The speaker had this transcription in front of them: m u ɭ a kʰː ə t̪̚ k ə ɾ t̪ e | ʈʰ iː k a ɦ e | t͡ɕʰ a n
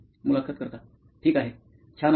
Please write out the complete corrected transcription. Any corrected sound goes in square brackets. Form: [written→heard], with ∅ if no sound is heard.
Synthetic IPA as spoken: m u [ɭ→l] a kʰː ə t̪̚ k ə ɾ t̪ [e→a] | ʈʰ iː k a ɦ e | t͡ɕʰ a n